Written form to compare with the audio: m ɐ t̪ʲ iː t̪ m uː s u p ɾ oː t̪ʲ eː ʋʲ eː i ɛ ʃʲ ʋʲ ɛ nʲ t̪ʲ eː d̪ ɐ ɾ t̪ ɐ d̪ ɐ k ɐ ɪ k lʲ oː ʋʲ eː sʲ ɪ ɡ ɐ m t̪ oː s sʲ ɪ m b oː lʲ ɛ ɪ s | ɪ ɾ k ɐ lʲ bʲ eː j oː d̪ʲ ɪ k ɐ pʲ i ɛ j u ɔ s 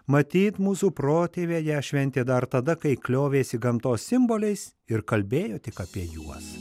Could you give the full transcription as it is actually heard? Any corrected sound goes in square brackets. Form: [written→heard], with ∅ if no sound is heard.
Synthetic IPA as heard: m ɐ t̪ʲ iː t̪ m uː s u p ɾ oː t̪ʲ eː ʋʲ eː [i→j] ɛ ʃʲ ʋʲ ɛ nʲ t̪ʲ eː d̪ ɐ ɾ t̪ ɐ d̪ ɐ k ɐ ɪ k lʲ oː ʋʲ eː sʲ ɪ ɡ ɐ m t̪ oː s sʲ ɪ m b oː lʲ ɛ ɪ s | ɪ ɾ k ɐ lʲ bʲ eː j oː [d̪ʲ→t̪ʲ] ɪ k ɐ pʲ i ɛ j u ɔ s